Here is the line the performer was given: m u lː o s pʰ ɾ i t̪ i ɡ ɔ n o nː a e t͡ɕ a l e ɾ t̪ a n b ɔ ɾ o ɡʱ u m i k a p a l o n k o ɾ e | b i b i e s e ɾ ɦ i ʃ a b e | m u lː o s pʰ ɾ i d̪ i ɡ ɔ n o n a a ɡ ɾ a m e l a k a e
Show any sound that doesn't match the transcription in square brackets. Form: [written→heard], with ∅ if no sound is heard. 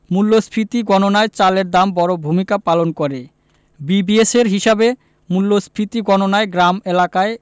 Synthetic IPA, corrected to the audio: m u lː o s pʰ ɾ i t̪ i ɡ ɔ n o [nː→n] a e t͡ɕ a l e ɾ [t̪→d̪] a [n→m] b ɔ ɾ o [ɡʱ→bʱ] u m i k a p a l o n k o ɾ e | b i b i e s e ɾ ɦ i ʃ a b e | m u lː o s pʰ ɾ i [d̪→t̪] i ɡ ɔ n o n a [a→e] ɡ ɾ a m e l a k a e